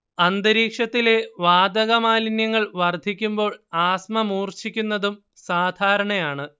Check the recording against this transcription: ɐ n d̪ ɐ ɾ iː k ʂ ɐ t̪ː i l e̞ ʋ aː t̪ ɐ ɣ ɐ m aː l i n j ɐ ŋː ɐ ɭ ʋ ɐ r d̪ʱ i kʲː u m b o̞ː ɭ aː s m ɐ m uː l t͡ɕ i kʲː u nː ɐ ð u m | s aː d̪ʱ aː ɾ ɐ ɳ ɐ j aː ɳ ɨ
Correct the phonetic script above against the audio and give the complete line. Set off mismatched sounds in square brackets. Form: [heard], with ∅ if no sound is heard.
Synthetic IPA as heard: ɐ n d̪ ɐ ɾ iː k ʂ ɐ t̪ː i l e̞ ʋ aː [d̪] ɐ ɣ ɐ m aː l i n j ɐ ŋː ɐ ɭ ʋ ɐ r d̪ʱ i kʲː u m b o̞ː ɭ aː s m ɐ m uː [r] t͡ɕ i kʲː u nː ɐ ð u m | s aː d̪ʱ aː ɾ ɐ ɳ ɐ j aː ɳ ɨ

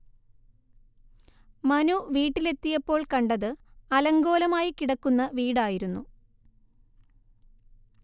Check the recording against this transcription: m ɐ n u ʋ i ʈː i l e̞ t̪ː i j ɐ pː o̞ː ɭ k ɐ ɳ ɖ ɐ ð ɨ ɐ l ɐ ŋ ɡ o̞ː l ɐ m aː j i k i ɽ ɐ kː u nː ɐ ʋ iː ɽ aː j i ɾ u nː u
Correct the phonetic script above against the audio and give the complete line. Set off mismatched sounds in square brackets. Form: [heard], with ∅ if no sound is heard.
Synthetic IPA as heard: m ɐ n u ʋ [iː] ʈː i l e̞ t̪ː i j ɐ pː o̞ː ɭ k ɐ ɳ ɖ ɐ ð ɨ ɐ l ɐ ŋ ɡ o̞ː l ɐ m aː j i k i ɽ ɐ kː u nː ɐ ʋ iː ɽ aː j i ɾ u nː u

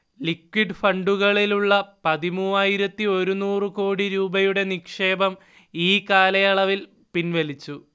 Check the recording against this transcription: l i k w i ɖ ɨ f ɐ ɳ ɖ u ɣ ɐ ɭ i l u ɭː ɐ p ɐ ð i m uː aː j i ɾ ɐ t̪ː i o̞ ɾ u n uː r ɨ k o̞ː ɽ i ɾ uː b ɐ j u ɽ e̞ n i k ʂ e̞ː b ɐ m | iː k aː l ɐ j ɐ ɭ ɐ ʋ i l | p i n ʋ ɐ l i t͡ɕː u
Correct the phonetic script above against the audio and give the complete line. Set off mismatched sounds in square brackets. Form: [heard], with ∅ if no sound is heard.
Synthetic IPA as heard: l i k w i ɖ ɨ f ɐ ɳ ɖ u ɣ ɐ ɭ i l u ɭː ɐ p ɐ ð i m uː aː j i ɾ ɐ t̪ː i o̞ ɾ u n uː r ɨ k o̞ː ɽ i ɾ uː b ɐ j u ɽ e̞ n i k ʂ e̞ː b ɐ m | iː k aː l ɐ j ɐ ɭ ɐ ʋ i l | p i n ʋ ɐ l i t͡ɕː u

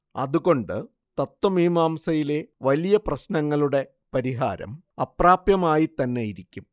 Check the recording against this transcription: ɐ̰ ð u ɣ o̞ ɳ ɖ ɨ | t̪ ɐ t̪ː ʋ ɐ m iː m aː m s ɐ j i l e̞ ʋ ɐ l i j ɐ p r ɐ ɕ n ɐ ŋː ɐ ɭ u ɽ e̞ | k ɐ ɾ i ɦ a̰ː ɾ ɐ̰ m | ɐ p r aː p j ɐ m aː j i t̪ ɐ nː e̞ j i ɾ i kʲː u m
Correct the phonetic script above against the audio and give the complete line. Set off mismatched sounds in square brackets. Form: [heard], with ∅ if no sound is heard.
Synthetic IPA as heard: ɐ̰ ð u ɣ o̞ ɳ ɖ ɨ | t̪ ɐ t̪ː [w] ɐ m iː m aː m s ɐ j i l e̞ ʋ ɐ l i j ɐ p r ɐ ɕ n ɐ ŋː ɐ ɭ u ɽ e̞ | [p] ɐ ɾ i ɦ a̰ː ɾ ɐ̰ m | ɐ p r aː p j ɐ m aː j i t̪ ɐ nː e̞ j i ɾ i kʲː u m

